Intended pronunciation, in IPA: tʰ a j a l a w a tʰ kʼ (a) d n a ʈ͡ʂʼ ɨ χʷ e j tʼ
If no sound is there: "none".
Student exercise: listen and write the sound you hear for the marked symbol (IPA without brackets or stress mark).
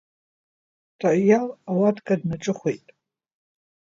a